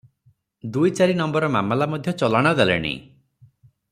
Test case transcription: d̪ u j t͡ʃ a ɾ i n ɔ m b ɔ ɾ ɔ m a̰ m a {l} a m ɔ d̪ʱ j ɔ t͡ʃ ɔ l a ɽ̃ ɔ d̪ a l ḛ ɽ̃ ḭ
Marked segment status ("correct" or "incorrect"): correct